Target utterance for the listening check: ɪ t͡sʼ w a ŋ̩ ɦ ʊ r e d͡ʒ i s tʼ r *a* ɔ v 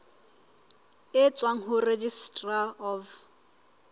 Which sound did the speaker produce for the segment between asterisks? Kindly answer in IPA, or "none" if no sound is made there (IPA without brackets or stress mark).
a